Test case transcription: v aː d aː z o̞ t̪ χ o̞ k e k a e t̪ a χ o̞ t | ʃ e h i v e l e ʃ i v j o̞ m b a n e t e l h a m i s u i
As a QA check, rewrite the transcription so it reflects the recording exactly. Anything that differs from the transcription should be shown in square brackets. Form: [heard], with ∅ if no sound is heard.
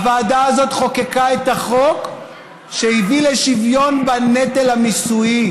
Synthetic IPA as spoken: v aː d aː z o̞ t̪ χ o̞ k e k a e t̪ a χ o̞ [k] | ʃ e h i v [i] l e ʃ i v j o̞ [n] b a n e t e l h a m i s u i